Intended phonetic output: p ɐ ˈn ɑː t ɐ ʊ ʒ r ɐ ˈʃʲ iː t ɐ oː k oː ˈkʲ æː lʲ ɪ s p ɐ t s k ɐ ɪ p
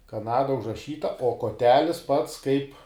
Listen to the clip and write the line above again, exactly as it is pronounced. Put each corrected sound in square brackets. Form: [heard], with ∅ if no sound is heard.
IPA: [k] ɐ ˈn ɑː [d] ɐ ʊ ʒ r ɐ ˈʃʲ iː t ɐ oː k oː [ˈtʲ] æː lʲ ɪ s p ɐ t s k ɐ ɪ p

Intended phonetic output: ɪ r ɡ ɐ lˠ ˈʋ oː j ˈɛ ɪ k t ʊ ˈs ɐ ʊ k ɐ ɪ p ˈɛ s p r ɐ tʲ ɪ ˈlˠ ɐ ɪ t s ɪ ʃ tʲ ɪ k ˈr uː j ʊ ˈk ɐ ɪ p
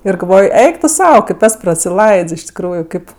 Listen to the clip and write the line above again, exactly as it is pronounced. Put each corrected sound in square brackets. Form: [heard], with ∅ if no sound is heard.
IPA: ɪ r ɡ ɐ lˠ ˈʋ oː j ˈɛ ɪ k t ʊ ˈs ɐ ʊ k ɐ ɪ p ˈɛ s p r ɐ [sʲ] ɪ ˈlˠ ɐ ɪ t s ɪ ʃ tʲ ɪ k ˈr uː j ʊ ˈk ɐ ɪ p

